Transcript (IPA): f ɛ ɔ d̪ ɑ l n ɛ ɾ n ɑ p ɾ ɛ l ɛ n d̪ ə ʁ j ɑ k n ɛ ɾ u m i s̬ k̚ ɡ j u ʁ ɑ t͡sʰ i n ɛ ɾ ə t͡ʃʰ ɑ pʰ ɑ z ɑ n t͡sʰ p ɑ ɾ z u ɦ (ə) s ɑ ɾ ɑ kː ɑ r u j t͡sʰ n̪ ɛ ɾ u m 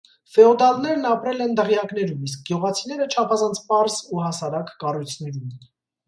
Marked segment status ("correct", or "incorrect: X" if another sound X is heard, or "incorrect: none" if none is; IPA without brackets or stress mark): incorrect: ɑ